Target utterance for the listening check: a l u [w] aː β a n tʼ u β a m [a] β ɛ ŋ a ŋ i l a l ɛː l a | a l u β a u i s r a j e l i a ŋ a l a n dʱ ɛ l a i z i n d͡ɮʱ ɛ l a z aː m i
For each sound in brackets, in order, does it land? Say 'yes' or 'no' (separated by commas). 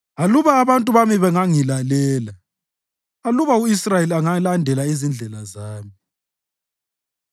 no, no